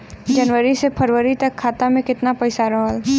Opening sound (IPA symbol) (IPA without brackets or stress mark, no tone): d͡ʒ